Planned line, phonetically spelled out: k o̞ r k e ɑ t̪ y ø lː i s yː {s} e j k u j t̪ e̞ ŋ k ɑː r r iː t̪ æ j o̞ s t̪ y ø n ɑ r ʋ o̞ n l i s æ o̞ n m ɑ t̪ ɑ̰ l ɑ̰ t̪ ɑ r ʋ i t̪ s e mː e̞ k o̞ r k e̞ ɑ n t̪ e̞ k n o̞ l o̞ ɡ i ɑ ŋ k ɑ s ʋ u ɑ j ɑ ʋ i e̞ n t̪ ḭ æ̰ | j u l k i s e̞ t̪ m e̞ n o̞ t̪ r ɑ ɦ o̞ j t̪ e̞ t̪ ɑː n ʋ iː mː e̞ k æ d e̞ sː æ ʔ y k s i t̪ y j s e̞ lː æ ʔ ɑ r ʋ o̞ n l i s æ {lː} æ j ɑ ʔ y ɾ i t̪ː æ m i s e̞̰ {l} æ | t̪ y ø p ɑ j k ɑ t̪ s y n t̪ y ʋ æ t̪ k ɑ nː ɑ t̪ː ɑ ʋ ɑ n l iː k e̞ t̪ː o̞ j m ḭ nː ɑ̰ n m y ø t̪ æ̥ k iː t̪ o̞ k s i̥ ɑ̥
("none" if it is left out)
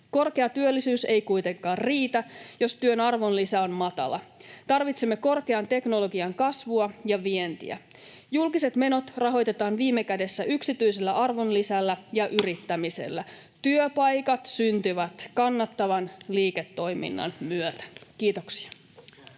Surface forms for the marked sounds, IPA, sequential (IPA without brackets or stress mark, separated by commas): s, lː, lː